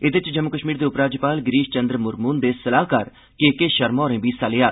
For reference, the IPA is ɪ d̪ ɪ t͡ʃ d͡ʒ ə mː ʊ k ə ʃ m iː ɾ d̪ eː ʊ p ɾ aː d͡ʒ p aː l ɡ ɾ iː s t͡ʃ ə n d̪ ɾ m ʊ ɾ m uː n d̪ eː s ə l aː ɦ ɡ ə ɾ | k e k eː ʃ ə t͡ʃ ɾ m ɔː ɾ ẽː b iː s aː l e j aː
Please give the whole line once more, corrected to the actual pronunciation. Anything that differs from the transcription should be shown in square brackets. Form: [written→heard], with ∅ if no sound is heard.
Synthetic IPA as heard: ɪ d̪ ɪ t͡ʃ d͡ʒ ə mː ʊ k ə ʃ m iː ɾ d̪ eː ʊ p ɾ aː d͡ʒ p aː l ɡ ɾ iː [s→ʃ] t͡ʃ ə n d̪ ɾ m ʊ ɾ m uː n d̪ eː s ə l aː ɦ [ɡ→k] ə ɾ | k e k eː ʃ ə [t͡ʃ→∅] ɾ m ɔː ɾ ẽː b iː s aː l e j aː